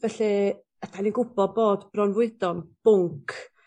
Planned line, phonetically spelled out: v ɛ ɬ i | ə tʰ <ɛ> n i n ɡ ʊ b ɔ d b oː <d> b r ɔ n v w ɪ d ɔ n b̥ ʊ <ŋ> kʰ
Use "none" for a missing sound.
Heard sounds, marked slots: a, d, ŋ

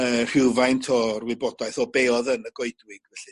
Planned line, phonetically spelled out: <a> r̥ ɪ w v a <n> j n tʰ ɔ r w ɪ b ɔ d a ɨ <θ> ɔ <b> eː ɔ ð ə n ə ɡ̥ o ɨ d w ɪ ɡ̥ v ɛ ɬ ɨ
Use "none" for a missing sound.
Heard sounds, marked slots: ə, none, θ, b

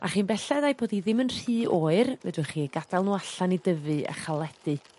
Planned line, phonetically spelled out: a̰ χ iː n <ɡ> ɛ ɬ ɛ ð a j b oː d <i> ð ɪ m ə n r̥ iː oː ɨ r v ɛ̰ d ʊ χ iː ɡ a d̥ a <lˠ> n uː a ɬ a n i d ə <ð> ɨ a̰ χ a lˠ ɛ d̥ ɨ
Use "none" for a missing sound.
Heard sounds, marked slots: b, i, lˠ, v

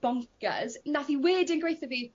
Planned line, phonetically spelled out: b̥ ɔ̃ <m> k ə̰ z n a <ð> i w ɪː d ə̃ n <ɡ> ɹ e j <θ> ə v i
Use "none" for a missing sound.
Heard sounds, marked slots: ŋ, θ, ɡ, θ

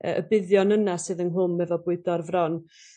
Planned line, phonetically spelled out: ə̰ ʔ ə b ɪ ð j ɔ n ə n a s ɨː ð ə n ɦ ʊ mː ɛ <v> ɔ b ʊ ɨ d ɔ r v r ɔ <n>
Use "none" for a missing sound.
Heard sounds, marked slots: v, n

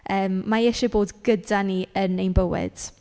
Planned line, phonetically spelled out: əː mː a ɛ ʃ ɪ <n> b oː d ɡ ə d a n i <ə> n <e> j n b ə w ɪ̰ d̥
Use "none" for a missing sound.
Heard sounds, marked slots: none, ə, e

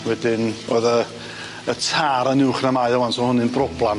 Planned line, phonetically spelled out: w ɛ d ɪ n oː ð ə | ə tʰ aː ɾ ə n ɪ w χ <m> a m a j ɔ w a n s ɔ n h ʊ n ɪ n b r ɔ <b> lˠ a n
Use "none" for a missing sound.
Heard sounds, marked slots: n, b

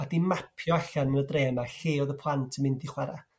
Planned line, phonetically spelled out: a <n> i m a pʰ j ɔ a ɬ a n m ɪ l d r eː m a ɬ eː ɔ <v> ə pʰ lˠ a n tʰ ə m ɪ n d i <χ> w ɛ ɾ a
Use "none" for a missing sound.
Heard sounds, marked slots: d, ð, χ

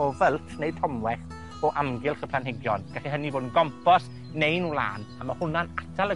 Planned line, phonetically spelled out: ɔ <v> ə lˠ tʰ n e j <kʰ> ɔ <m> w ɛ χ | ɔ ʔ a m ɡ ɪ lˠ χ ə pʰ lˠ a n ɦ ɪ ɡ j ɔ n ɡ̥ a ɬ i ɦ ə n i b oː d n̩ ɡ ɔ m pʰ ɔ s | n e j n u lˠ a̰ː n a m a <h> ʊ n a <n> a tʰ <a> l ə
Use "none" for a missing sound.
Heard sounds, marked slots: v, tʰ, m, h, n, a

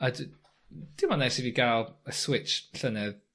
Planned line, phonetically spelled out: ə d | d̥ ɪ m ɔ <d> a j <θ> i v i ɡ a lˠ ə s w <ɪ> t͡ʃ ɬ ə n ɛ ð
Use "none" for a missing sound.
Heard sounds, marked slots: n, s, ɪ

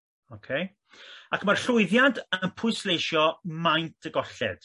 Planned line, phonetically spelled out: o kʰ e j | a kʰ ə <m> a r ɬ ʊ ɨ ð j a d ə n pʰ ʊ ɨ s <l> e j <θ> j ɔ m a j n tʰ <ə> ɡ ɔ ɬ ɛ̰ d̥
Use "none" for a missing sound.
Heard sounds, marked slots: m, l, ʃ, ə

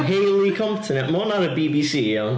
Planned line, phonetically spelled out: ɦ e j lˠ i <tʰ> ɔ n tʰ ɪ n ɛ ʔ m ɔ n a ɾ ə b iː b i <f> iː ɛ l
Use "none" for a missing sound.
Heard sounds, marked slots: kʰ, s

